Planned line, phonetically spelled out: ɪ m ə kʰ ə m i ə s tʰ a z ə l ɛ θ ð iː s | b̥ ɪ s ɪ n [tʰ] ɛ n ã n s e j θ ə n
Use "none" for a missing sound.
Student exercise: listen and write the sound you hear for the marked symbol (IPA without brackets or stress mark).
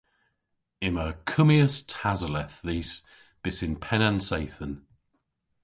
pʰ